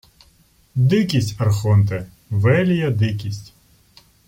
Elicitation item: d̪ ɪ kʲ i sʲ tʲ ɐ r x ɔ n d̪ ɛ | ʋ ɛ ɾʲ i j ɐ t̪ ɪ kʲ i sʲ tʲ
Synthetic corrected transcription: d̪ ɪ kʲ i sʲ tʲ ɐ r x ɔ n t̪ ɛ | ʋ ɛ lʲ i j ɐ d̪ ɪ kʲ i sʲ tʲ